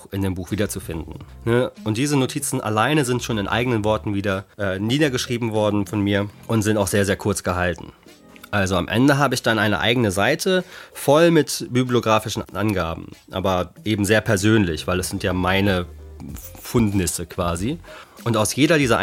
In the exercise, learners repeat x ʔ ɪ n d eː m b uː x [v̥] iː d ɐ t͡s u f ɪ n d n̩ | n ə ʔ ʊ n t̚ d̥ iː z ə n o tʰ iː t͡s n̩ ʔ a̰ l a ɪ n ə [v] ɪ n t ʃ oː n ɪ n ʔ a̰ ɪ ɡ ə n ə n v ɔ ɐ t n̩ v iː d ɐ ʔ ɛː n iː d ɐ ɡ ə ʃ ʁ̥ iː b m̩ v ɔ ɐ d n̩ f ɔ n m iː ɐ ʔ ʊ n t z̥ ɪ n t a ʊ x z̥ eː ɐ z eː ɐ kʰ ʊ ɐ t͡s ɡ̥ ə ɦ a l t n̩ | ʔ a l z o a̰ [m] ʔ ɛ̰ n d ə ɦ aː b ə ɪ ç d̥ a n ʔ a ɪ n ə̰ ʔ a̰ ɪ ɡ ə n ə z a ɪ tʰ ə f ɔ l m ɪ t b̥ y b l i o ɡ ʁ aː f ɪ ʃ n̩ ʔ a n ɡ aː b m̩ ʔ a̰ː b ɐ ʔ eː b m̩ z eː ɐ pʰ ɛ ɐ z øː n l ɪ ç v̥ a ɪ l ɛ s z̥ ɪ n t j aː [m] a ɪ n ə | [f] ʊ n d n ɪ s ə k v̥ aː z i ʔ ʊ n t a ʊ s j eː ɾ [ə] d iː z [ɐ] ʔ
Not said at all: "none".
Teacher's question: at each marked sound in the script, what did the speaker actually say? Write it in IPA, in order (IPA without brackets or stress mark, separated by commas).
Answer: v̥, z, m, m, f, ɐ, ɐ